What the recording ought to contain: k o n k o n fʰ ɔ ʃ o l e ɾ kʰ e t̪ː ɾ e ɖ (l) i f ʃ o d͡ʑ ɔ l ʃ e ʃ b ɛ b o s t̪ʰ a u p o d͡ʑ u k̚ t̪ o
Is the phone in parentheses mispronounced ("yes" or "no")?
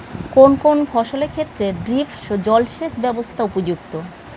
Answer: yes